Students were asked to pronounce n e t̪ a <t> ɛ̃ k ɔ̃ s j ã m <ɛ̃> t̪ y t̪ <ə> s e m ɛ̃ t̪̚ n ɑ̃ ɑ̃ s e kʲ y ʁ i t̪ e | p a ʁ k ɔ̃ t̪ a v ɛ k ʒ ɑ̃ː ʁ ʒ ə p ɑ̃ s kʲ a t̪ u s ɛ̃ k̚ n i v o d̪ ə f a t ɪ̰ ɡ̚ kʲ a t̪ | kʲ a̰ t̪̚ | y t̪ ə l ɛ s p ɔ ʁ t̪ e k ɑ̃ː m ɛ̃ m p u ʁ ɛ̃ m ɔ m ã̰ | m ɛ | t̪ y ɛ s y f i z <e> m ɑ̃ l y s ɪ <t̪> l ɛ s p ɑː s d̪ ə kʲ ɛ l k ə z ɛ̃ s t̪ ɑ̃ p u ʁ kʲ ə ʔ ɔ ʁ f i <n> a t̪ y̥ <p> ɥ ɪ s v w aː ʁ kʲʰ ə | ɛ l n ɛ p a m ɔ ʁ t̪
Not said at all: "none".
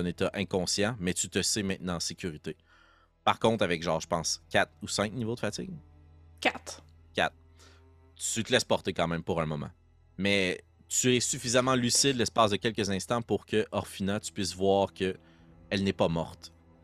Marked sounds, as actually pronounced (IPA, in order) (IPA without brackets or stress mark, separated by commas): ʔ, ɛ, ə, a, d̪, n, p